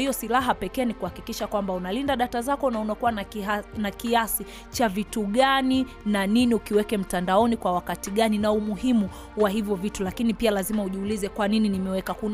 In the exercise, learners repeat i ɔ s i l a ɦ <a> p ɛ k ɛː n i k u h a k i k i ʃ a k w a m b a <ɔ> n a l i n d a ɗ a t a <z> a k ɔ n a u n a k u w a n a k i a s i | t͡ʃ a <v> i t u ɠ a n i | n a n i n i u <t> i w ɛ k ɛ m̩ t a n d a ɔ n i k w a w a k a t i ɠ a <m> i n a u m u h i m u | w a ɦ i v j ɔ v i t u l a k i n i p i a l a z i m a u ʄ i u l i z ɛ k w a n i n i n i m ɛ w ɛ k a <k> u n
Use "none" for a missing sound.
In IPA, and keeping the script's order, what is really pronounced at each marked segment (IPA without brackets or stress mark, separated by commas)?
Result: a, u, z, v, k, n, k